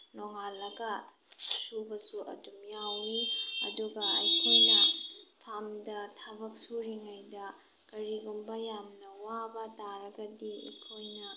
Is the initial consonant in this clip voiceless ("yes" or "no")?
no